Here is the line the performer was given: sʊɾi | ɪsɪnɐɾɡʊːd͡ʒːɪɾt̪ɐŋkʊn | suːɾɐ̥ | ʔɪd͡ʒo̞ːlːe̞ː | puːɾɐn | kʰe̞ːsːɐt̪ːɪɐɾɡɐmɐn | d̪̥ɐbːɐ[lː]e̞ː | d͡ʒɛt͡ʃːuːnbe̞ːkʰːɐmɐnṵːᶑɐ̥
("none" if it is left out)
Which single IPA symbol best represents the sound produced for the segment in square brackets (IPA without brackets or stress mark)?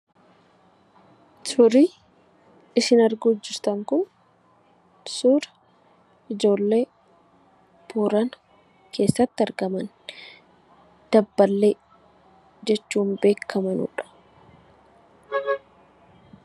lː